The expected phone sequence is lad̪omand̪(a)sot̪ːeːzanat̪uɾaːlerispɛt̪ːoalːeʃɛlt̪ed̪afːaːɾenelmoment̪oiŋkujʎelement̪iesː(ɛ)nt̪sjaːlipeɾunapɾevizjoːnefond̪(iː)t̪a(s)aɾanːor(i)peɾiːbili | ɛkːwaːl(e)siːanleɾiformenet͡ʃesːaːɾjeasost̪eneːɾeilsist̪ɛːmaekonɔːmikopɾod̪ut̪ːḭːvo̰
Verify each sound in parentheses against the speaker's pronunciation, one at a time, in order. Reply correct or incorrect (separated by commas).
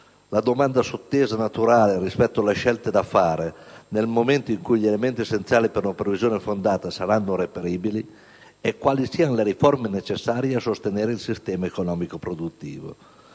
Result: correct, incorrect, incorrect, correct, incorrect, incorrect